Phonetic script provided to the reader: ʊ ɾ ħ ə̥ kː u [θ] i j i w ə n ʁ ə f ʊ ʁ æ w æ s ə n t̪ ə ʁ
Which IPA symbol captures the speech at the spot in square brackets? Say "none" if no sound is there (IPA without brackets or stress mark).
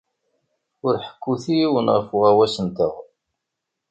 θ